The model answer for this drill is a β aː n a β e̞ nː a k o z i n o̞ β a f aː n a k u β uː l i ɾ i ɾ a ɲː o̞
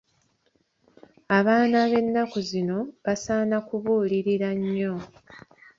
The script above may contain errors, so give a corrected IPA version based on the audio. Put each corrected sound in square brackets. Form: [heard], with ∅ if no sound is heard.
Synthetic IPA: a β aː n a β e̞ nː a k [u] z i n o̞ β a [s] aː n a k u β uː l i ɾ i ɾ a ɲː o̞

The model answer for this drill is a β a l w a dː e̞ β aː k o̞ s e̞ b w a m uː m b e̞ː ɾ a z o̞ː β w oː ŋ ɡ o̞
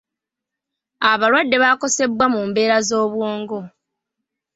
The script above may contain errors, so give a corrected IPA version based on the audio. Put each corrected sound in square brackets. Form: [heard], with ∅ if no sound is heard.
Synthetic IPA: a β a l w a dː e̞ β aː k o̞ s e̞ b w a m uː m b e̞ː ɾ a z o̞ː β w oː ŋ ɡ o̞

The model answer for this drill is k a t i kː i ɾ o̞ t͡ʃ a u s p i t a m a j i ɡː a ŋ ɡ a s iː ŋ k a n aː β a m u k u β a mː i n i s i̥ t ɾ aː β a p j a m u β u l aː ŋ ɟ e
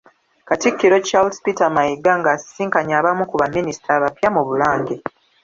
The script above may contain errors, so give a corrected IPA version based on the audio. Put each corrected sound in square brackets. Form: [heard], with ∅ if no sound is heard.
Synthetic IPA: k a t i kː i ɾ o̞ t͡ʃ a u s p i t a m a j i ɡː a ŋ ɡ a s iː ŋ k a [ɲ] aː β a m u k u β a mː i n i s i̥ t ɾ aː β a p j a m u β u l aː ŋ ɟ e

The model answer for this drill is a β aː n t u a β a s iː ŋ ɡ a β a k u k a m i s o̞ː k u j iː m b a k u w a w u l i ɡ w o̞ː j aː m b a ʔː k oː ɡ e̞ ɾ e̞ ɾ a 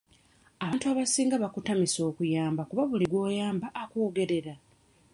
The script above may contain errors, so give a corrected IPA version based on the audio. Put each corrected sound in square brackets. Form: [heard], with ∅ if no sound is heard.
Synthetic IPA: a β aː n t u a β a s iː ŋ ɡ a β a k u [t] a m i s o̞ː k u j [aː] m b a k u [β] a [β] u l i ɡ w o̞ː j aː m b a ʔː k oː ɡ e̞ ɾ e̞ ɾ a

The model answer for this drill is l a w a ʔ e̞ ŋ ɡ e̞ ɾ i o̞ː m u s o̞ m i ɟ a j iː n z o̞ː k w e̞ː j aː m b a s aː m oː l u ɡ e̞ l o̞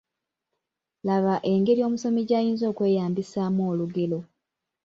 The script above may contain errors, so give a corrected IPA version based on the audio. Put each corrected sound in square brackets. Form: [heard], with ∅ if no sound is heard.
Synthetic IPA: l a [β] a ʔ e̞ ŋ ɡ e̞ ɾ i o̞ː m u s o̞ m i ɟ a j iː n z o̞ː k w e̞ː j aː m b [i] s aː m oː l u ɡ e̞ l o̞

